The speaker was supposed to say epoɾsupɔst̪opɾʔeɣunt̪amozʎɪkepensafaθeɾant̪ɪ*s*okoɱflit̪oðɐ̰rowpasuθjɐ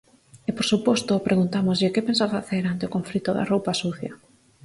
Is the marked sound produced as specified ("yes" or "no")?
no